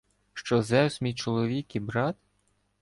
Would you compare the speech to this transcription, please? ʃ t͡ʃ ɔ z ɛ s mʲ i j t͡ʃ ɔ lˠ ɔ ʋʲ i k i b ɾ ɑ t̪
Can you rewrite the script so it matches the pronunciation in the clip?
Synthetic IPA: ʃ t͡ʃ ɔ z ɛ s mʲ i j t͡ʃ ɔ lˠ ɔ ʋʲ i k i b ɾ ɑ t̪